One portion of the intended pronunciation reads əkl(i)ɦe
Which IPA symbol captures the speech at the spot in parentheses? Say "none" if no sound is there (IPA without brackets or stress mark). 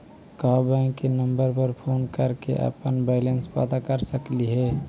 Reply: i